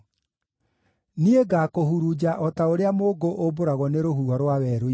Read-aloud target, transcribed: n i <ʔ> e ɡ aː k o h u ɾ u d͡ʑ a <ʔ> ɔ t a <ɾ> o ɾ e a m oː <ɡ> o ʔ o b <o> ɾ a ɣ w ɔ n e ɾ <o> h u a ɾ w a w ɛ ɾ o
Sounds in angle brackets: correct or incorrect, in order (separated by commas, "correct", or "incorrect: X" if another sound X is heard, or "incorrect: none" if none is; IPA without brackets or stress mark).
incorrect: none, correct, incorrect: none, correct, correct, correct